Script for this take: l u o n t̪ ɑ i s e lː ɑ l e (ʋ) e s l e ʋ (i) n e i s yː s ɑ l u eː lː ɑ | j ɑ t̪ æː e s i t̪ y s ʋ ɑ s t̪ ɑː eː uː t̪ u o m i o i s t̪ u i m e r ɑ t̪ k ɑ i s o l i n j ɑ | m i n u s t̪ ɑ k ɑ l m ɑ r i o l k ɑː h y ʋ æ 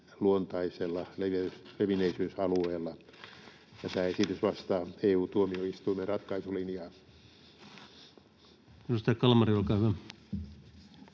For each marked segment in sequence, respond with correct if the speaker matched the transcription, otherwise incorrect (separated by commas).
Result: correct, correct